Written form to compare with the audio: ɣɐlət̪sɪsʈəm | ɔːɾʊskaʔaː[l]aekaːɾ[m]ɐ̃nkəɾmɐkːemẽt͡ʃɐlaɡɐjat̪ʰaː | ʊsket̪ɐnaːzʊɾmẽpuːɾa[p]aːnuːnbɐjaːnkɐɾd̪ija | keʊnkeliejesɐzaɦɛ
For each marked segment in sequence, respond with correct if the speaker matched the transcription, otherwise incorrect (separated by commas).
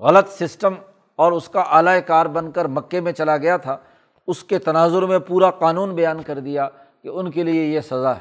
correct, incorrect, incorrect